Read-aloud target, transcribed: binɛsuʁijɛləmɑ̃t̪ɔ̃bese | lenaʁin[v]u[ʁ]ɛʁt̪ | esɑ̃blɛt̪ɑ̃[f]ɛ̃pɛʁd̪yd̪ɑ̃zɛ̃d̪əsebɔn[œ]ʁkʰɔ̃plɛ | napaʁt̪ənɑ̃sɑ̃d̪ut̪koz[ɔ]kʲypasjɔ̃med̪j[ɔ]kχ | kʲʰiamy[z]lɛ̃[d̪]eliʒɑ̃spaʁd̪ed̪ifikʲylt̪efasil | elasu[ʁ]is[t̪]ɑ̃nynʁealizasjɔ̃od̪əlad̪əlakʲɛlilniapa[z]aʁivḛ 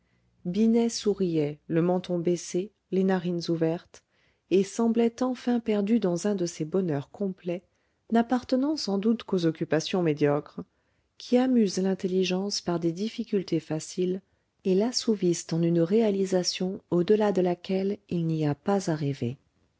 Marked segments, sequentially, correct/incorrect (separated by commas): incorrect, incorrect, correct, correct, correct, correct, correct, incorrect, incorrect, correct, correct